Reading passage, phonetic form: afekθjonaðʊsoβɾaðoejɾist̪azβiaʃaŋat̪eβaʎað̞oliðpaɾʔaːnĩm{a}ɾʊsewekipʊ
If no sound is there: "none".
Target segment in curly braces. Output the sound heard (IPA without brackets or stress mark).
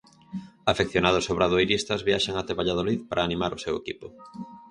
a